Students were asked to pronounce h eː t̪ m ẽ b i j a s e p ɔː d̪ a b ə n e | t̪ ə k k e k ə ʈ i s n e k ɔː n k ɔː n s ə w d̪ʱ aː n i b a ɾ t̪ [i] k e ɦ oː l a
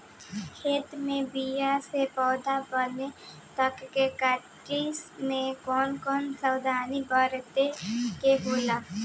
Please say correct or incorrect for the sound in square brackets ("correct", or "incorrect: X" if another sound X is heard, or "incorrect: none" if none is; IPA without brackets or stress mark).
incorrect: e